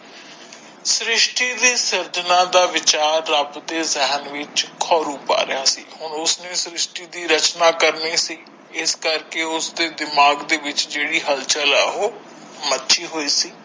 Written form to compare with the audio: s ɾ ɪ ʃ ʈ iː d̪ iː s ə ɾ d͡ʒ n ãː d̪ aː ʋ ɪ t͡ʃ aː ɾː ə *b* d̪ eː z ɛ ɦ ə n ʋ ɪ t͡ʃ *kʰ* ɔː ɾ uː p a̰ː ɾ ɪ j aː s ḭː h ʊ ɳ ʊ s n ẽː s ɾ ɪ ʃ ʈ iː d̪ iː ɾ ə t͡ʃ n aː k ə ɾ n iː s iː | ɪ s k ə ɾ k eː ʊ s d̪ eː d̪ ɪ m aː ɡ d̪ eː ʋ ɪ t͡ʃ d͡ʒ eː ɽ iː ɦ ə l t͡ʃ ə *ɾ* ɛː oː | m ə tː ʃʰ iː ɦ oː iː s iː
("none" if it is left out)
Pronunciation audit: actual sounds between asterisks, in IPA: b, kʰ, l

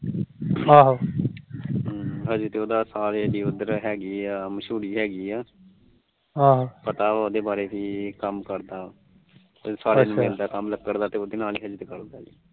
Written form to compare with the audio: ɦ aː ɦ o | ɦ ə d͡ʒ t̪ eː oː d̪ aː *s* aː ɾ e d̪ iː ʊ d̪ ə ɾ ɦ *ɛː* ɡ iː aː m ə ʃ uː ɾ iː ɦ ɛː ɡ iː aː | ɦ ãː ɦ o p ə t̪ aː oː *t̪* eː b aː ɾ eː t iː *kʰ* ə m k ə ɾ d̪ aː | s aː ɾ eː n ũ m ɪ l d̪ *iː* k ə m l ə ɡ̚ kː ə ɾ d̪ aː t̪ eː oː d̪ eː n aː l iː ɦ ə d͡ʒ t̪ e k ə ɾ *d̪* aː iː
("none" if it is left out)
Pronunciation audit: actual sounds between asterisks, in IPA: s, ɛː, d̪, k, aː, d̪

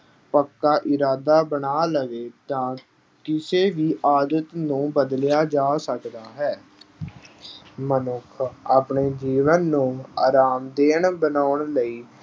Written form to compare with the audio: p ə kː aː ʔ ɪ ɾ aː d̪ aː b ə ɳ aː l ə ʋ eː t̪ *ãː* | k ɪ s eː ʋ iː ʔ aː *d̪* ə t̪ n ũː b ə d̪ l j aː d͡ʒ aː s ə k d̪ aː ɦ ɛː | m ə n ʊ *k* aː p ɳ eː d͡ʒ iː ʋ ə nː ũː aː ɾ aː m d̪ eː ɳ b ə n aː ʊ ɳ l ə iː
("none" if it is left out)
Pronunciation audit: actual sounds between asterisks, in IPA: ãː, d̪, kʰ

